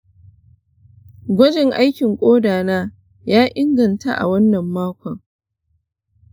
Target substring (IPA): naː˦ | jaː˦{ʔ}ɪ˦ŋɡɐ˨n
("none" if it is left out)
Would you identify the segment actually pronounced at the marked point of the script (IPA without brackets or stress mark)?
ʔ